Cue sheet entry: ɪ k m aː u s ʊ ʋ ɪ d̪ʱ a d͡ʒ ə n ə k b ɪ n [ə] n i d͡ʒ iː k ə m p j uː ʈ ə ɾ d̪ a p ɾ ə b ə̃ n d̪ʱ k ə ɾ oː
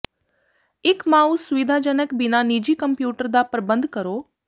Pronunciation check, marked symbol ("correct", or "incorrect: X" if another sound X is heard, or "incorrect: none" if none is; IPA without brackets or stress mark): incorrect: a